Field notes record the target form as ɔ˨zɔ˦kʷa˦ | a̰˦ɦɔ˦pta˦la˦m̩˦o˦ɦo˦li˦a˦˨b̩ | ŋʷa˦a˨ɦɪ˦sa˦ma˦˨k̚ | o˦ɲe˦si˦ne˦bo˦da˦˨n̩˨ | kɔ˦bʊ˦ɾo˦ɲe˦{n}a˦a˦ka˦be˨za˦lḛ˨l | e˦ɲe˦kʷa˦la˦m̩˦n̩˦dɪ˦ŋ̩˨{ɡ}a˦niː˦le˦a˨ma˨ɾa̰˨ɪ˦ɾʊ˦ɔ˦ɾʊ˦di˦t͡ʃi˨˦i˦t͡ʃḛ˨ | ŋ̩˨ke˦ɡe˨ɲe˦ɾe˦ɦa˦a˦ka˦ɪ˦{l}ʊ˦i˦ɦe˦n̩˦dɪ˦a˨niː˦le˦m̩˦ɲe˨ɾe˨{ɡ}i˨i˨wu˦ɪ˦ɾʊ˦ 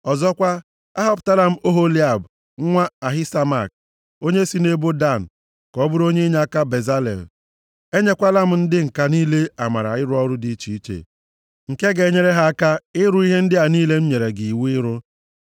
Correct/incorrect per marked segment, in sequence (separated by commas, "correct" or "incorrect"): incorrect, incorrect, incorrect, correct